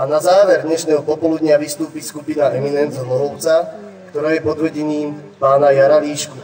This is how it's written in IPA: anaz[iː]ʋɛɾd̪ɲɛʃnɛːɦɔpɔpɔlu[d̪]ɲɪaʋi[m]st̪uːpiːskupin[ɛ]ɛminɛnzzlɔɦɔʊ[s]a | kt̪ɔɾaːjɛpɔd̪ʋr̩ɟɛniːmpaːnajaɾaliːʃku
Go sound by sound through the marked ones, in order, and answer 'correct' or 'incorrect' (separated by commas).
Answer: incorrect, correct, incorrect, incorrect, incorrect